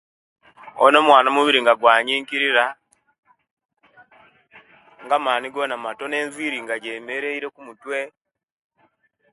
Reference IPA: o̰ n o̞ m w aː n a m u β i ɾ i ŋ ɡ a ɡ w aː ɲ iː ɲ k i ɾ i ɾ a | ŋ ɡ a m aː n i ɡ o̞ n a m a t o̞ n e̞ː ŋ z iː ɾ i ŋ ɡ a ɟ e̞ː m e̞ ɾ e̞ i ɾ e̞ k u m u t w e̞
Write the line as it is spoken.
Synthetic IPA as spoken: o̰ n o̞ m w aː n a m u β i ɾ i ŋ ɡ a ɡ w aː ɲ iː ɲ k i ɾ i ɾ a | ŋ ɡ a m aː n i ɡ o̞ n a m a t o̞ n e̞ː n z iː ɾ i ŋ ɡ a ɟ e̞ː m e̞ ɾ e̞ i ɾ e̞ k u m u t w e̞